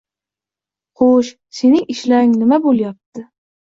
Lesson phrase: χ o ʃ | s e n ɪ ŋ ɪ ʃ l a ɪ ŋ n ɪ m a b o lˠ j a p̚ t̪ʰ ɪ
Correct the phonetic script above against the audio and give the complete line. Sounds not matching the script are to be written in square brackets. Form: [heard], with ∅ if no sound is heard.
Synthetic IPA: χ o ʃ | s e n ɪ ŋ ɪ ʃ l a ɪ ŋ n ɪ m a b o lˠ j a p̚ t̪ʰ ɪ